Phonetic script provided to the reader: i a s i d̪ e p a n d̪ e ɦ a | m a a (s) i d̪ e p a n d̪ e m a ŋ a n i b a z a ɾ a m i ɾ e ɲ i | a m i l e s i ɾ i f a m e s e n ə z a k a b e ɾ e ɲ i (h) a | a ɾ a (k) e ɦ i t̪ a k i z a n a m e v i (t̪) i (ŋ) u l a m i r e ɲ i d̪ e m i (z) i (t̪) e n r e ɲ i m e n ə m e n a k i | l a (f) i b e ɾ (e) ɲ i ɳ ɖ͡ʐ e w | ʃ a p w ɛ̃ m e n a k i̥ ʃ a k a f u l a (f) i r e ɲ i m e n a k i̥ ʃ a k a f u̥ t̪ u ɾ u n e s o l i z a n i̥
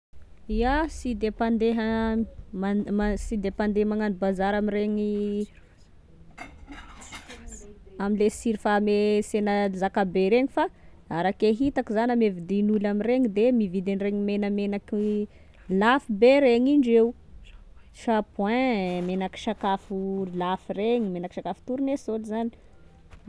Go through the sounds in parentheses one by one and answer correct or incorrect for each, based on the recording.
correct, incorrect, correct, incorrect, incorrect, incorrect, incorrect, correct, correct, correct

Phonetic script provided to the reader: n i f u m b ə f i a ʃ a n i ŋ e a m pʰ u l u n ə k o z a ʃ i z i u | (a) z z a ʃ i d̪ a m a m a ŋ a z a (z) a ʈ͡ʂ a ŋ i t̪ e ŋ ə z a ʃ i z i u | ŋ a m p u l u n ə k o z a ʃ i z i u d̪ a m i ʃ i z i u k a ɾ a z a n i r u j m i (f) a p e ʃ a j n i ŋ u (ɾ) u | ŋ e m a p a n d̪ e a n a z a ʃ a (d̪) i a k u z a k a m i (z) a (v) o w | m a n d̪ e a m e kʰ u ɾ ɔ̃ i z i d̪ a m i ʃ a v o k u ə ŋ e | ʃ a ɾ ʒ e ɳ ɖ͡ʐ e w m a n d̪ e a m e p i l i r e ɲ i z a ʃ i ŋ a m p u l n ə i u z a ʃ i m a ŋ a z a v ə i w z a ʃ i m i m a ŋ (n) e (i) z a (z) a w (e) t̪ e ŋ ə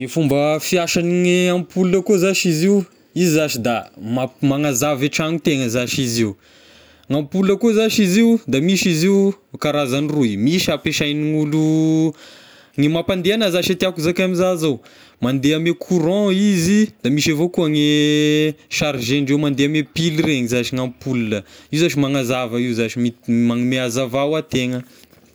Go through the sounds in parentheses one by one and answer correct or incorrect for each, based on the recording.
incorrect, incorrect, incorrect, incorrect, incorrect, correct, incorrect, incorrect, incorrect, incorrect, incorrect

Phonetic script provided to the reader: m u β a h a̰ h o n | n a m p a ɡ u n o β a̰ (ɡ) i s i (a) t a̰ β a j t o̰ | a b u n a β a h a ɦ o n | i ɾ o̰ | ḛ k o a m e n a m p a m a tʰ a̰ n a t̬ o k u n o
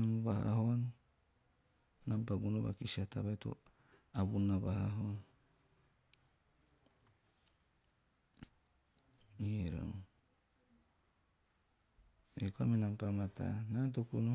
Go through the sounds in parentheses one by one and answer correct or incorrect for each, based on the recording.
incorrect, correct

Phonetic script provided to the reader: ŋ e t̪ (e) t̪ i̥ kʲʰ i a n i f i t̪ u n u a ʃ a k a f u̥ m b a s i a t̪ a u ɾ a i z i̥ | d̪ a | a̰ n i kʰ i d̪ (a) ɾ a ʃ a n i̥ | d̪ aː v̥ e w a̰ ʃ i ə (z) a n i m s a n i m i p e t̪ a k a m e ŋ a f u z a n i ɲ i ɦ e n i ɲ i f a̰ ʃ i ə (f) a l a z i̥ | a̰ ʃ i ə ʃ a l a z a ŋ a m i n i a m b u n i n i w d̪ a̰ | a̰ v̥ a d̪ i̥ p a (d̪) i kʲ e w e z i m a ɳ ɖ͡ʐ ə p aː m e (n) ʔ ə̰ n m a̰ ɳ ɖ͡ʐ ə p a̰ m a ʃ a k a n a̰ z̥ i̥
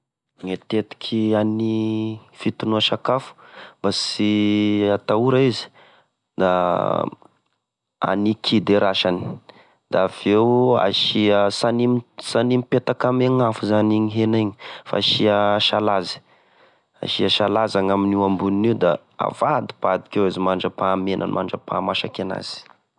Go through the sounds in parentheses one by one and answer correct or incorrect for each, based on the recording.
correct, incorrect, incorrect, incorrect, correct, correct

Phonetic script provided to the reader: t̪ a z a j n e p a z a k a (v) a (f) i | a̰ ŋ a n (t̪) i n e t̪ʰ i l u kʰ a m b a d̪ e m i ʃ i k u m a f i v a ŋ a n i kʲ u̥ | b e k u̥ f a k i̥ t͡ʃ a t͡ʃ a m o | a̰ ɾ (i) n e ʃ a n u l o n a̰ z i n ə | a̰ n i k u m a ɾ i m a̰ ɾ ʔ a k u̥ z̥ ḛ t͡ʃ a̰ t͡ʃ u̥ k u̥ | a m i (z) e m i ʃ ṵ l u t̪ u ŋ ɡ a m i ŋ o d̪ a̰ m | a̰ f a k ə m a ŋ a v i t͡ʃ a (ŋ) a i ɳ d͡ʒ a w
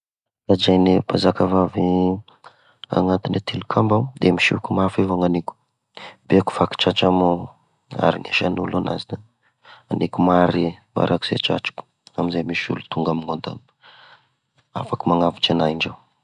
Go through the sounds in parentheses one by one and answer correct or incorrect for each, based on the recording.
correct, incorrect, correct, correct, correct, incorrect

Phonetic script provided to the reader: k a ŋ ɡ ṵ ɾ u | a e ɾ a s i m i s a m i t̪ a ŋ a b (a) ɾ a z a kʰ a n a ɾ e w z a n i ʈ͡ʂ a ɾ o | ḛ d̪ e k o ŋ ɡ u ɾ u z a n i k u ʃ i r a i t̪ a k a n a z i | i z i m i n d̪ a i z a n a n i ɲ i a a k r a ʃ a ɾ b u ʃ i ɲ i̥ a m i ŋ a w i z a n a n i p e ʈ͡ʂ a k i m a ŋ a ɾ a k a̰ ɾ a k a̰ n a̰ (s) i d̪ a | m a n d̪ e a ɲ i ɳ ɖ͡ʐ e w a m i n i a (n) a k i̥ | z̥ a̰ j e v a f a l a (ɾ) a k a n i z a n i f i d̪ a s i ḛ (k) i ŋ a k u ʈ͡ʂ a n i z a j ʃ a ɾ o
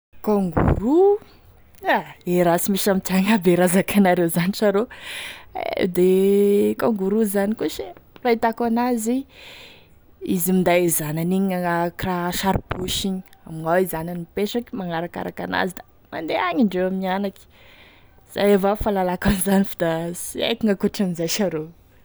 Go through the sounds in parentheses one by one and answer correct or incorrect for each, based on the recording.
incorrect, incorrect, correct, incorrect, correct

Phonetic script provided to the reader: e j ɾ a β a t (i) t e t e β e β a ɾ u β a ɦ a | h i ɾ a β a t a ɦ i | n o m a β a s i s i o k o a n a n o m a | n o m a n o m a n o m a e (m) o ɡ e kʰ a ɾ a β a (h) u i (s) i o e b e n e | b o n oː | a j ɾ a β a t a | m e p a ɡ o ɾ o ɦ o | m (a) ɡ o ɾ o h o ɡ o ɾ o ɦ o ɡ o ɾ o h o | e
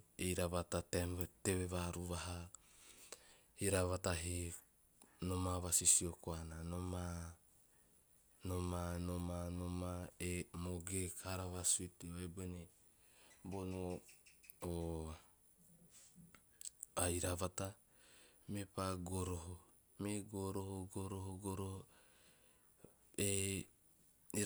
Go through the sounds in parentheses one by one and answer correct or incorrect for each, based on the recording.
incorrect, correct, incorrect, incorrect, incorrect

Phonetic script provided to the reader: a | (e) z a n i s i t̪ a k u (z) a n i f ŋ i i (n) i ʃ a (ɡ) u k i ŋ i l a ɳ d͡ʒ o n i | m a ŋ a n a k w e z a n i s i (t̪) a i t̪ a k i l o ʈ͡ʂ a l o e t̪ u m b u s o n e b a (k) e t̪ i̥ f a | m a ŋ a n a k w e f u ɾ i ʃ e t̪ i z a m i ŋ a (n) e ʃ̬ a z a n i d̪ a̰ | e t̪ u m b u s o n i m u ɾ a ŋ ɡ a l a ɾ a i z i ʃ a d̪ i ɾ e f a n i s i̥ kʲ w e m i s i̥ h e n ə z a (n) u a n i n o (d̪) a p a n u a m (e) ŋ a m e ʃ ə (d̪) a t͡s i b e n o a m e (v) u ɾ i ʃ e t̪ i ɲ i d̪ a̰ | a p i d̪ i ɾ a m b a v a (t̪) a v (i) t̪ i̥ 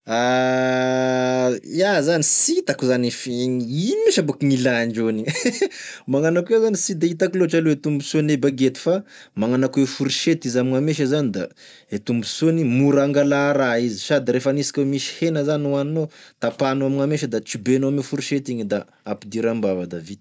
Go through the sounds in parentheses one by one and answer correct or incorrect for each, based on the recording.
incorrect, correct, incorrect, incorrect, incorrect, incorrect, incorrect, correct, incorrect, incorrect, correct, incorrect, incorrect, correct

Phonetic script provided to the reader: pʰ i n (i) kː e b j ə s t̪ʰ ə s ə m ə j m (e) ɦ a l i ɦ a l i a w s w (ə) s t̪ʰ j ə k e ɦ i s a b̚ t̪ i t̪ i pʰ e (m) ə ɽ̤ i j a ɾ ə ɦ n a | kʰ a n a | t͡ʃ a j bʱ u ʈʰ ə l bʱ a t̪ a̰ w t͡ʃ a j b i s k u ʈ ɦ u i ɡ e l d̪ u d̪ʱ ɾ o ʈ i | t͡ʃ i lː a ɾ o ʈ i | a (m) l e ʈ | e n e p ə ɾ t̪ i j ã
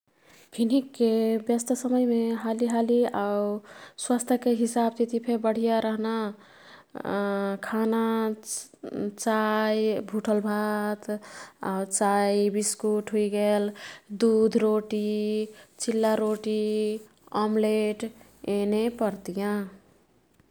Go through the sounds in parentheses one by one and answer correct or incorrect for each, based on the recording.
correct, correct, incorrect, incorrect, correct

